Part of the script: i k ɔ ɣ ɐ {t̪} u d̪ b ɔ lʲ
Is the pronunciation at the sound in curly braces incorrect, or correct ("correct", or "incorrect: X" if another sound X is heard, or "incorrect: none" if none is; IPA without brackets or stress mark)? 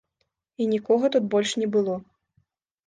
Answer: correct